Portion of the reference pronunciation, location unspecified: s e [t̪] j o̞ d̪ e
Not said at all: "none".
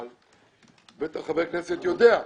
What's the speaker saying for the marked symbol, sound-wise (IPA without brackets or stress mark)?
t̪